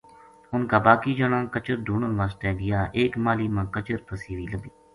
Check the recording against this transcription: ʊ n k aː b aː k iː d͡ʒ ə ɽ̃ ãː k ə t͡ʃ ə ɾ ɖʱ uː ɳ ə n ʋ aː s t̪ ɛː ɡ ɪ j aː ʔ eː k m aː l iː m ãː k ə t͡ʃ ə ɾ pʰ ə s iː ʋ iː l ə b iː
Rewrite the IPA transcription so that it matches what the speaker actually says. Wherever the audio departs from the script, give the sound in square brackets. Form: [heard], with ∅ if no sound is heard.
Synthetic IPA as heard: ʊ n k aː b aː k iː d͡ʒ ə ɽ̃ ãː k ə t͡ʃ ə ɾ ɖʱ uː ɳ ə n ʋ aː s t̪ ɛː ɡ ɪ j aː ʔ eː k m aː l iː m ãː k ə t͡ʃ ə ɾ pʰ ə s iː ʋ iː l ə b iː